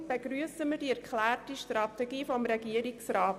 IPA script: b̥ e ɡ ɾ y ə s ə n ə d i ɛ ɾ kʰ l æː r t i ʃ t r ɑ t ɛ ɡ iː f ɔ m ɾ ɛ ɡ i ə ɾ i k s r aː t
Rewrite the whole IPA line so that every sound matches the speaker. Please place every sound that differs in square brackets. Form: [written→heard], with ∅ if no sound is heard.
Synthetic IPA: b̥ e ɡ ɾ y ə s ə [n→m] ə d i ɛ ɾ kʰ l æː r t i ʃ t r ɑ t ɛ ɡ iː f ɔ m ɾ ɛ ɡ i ə ɾ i k s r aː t